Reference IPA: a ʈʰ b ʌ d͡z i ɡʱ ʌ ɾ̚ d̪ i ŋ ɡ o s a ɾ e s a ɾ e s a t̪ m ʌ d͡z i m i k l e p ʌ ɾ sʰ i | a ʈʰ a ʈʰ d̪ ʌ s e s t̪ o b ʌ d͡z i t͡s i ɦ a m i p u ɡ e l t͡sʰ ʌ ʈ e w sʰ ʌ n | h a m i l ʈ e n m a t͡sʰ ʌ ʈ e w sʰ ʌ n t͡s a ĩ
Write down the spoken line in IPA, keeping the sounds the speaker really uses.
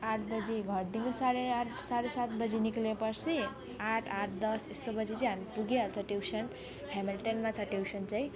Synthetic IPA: a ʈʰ b ʌ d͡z i ɡʱ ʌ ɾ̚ d̪ i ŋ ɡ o s a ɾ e s a ɾ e s a t̪ b ʌ d͡z i n i k l e p ʌ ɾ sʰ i | a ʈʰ a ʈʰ d̪ ʌ s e s t̪ o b ʌ d͡z i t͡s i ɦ a m i p u ɡ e l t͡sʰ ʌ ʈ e w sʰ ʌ n | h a m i l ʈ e n m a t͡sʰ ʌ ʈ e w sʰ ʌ n t͡s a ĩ